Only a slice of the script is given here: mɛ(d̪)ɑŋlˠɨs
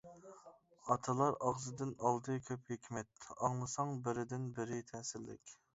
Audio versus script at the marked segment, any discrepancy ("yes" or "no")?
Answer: yes